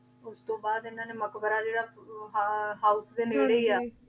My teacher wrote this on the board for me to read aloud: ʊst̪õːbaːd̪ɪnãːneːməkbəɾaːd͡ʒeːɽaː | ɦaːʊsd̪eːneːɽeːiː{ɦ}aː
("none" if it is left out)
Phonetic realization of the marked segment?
none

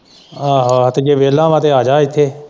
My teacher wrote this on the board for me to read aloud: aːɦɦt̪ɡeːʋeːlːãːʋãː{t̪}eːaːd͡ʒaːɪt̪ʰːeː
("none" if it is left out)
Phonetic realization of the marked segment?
t̪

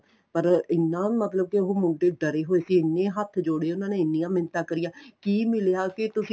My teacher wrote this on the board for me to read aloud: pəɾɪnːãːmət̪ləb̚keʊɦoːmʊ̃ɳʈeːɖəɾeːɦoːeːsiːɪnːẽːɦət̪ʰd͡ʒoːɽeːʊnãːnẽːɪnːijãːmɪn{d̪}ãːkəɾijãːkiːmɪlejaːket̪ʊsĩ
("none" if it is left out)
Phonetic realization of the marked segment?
t̪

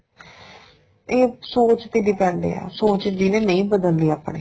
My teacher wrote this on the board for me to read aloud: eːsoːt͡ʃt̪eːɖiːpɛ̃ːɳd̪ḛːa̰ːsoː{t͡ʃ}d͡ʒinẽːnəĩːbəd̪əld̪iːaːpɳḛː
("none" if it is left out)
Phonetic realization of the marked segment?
t͡ʃ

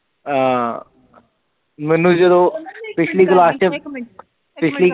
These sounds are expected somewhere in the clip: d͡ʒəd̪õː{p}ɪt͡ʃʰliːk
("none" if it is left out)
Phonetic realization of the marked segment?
p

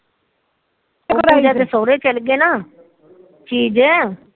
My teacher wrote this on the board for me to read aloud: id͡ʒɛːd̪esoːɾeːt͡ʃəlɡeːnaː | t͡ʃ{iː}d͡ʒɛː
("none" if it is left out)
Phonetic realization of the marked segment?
iː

